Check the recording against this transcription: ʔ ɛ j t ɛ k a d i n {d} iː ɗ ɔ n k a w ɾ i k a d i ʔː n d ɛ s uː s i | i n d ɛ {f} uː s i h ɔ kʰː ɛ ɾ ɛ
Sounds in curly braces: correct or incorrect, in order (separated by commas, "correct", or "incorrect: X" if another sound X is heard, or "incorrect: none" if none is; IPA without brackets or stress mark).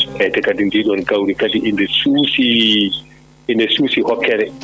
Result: correct, incorrect: s